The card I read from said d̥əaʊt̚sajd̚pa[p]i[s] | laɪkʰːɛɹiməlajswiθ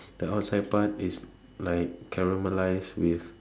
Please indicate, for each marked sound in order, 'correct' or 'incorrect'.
incorrect, correct

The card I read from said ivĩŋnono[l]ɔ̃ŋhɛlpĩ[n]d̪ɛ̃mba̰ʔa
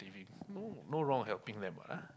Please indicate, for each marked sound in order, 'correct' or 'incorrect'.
incorrect, incorrect

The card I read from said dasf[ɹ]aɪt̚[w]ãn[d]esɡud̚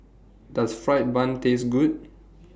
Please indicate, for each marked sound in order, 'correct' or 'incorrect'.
correct, incorrect, incorrect

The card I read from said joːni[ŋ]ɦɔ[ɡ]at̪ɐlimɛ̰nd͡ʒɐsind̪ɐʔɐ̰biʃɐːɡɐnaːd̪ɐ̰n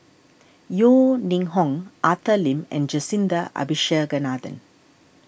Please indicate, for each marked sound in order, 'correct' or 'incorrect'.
correct, incorrect

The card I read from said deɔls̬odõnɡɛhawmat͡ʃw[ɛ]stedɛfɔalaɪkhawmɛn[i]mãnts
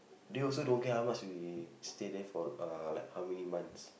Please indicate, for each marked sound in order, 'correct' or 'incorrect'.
incorrect, correct

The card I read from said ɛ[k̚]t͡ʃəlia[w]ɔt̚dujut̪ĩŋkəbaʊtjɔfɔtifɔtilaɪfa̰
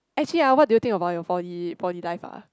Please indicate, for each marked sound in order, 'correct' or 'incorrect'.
correct, correct

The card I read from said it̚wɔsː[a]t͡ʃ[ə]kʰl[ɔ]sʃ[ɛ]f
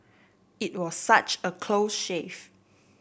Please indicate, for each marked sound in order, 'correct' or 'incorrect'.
correct, correct, incorrect, incorrect

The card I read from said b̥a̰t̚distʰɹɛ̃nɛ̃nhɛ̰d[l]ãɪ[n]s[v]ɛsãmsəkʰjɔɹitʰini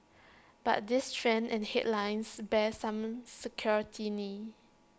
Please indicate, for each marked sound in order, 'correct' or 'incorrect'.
correct, correct, incorrect

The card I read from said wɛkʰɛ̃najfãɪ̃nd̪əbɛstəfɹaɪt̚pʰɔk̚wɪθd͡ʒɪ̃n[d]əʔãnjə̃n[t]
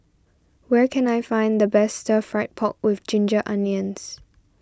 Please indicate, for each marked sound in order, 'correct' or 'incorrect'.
incorrect, incorrect

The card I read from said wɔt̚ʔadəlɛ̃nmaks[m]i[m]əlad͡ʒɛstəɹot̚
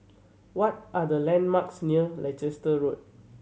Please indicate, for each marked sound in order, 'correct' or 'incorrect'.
incorrect, incorrect

